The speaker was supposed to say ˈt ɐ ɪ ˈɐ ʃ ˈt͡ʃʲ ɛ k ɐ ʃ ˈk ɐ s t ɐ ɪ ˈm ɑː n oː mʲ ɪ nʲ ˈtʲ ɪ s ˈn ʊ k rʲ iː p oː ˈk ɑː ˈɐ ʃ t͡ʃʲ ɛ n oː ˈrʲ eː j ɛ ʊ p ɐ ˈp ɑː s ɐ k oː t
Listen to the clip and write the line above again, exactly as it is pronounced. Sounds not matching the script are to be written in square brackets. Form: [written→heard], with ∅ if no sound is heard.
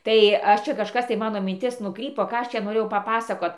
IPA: ˈt ɐ ɪ ˈɐ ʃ ˈt͡ʃʲ ɛ k ɐ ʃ ˈk ɐ s t ɐ ɪ ˈm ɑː n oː mʲ ɪ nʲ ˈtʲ ɪ s ˈn ʊ k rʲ iː p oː ˈk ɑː ˈɐ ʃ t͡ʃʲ ɛ n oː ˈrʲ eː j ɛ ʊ p ɐ ˈp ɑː s ɐ k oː t

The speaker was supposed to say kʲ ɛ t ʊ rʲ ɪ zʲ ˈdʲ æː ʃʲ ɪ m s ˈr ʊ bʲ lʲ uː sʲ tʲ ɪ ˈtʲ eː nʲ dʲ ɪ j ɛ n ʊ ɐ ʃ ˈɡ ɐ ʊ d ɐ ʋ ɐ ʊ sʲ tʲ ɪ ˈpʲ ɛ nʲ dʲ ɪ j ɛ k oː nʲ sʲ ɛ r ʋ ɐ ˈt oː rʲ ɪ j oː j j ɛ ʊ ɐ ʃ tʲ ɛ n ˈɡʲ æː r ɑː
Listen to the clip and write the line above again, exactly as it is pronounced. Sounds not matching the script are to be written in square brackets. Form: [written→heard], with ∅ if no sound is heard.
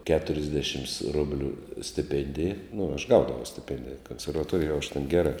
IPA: kʲ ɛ t ʊ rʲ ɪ zʲ ˈdʲ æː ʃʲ ɪ m s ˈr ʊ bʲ lʲ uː sʲ tʲ ɪ [ˈtʲ→ˈpʲ] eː nʲ dʲ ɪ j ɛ n ʊ ɐ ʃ ˈɡ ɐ ʊ d ɐ ʋ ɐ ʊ sʲ tʲ ɪ ˈpʲ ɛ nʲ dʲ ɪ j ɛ k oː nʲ sʲ ɛ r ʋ ɐ ˈt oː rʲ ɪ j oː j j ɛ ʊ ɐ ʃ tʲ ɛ n ˈɡʲ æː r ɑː

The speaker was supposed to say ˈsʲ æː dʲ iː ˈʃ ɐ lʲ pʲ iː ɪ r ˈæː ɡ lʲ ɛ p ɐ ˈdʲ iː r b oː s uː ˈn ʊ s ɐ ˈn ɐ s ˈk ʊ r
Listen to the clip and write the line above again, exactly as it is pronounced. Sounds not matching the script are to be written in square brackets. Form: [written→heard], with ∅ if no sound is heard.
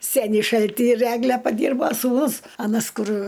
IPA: ˈsʲ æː [dʲ→nʲ] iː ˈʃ ɐ lʲ [pʲ→tʲ] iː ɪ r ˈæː ɡ lʲ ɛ p ɐ ˈdʲ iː r b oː s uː ˈn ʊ s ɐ ˈn ɐ s ˈk ʊ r

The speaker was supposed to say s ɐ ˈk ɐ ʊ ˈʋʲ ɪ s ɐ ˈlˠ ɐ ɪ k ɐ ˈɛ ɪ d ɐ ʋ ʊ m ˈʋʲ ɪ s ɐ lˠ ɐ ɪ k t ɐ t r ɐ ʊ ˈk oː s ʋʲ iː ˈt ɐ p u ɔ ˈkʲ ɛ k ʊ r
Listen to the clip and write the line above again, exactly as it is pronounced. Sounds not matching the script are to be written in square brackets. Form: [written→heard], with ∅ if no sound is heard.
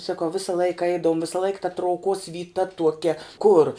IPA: s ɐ ˈk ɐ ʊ ˈʋʲ ɪ s ɐ ˈlˠ ɐ ɪ k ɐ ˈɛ ɪ d ɐ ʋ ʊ m ˈʋʲ ɪ s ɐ lˠ ɐ ɪ k t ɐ t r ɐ ʊ ˈk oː s ʋʲ iː ˈt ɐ [p→t] u ɔ ˈkʲ ɛ k ʊ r

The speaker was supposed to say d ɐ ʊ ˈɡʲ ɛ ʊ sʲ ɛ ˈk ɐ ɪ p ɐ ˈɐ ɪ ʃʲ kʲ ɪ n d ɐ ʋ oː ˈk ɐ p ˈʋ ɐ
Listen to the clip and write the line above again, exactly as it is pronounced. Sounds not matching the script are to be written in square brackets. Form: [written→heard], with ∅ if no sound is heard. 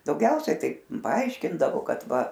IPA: d ɐ ʊ ˈɡʲ ɛ ʊ sʲ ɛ [ˈk→ˈt] ɐ ɪ p ɐ ˈɐ ɪ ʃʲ kʲ ɪ n d ɐ ʋ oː ˈk ɐ [p→t] ˈʋ ɐ

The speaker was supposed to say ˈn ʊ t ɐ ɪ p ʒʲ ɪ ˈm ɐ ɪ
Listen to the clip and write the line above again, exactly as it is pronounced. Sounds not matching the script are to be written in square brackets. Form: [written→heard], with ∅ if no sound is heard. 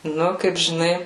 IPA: ˈn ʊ [t→k] ɐ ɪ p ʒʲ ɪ [ˈm→ˈn] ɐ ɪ

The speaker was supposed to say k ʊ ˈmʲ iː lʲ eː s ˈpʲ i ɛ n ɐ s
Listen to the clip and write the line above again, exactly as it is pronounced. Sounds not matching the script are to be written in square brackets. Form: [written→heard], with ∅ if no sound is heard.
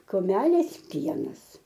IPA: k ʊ ˈmʲ [iː→æː] lʲ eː s ˈpʲ i ɛ n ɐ s

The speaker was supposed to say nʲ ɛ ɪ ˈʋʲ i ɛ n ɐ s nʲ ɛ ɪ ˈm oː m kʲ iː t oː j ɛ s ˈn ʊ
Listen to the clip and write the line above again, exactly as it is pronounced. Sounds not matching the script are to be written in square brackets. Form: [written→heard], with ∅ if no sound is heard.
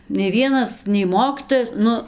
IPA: nʲ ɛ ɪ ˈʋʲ i ɛ n ɐ s nʲ ɛ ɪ ˈm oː [m→∅] kʲ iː t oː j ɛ s ˈn ʊ

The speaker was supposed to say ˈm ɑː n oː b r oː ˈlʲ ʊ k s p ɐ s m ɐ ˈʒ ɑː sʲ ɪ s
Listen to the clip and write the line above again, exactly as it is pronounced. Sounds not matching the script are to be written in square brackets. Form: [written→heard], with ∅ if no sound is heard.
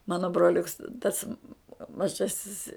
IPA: ˈm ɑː n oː b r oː ˈlʲ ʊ k s [p→t] ɐ s m ɐ ˈʒ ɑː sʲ ɪ s

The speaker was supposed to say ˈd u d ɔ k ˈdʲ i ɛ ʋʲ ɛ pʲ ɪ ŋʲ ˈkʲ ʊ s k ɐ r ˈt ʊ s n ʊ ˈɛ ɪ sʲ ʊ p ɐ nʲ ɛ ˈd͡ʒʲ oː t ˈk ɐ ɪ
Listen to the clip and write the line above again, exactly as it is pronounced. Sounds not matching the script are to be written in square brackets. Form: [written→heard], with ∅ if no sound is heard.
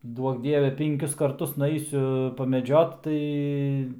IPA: ˈd u [d→∅] ɔ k ˈdʲ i ɛ ʋʲ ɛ pʲ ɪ ŋʲ ˈkʲ ʊ s k ɐ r ˈt ʊ s n ʊ ˈɛ ɪ sʲ ʊ p ɐ [nʲ→mʲ] ɛ ˈd͡ʒʲ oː t [ˈk→ˈt] ɐ ɪ

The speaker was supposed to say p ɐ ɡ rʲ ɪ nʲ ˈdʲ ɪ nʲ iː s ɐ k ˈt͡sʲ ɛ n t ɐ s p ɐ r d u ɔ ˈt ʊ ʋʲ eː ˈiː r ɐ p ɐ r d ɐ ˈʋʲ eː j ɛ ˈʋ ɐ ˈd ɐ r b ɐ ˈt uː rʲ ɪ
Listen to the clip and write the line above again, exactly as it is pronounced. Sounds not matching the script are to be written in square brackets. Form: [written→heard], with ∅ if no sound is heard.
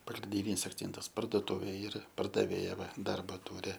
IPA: p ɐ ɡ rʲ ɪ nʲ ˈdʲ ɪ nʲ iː s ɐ k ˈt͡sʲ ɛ n t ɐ s p ɐ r d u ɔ ˈt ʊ ʋʲ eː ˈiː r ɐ p ɐ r d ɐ ˈʋʲ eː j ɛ ˈʋ ɐ ˈd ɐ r b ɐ ˈt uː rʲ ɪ

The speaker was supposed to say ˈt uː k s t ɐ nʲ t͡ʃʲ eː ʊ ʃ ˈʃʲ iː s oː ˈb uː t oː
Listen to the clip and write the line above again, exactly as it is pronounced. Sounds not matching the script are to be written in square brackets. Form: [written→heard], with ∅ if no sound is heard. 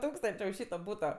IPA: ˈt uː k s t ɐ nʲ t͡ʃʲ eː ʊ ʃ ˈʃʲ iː [s→t] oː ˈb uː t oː

